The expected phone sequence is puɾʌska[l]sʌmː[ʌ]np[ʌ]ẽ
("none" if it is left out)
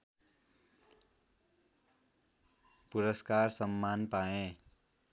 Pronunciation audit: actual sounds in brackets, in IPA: r, a, a

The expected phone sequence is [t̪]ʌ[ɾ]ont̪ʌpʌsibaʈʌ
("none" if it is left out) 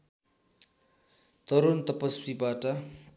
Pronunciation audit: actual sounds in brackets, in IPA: t̪, ɾ

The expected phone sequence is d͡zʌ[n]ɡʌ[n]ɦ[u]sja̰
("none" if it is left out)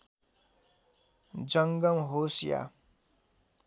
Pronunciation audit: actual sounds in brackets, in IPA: ŋ, m, o

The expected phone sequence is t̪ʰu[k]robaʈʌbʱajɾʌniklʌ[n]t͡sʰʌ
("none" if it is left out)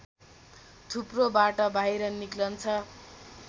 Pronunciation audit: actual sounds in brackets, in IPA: p, n

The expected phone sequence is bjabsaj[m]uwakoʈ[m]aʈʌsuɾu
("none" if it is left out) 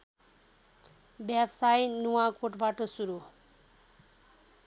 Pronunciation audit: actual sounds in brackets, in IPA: n, b

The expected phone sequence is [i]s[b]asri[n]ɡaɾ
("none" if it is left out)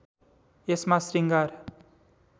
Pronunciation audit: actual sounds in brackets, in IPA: e, m, ŋ

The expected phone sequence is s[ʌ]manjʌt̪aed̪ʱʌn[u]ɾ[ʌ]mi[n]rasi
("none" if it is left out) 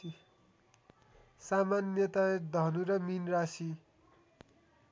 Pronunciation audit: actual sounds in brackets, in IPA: a, u, ʌ, n

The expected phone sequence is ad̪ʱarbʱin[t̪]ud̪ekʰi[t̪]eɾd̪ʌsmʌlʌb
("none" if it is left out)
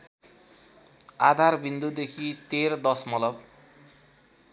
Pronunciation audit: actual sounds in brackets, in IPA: d̪, t̪

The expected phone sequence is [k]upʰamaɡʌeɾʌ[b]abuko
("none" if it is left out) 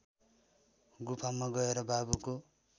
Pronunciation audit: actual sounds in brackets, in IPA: ɡ, b

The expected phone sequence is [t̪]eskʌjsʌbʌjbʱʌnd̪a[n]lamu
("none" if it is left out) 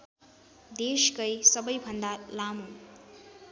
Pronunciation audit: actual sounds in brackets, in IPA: d̪, none

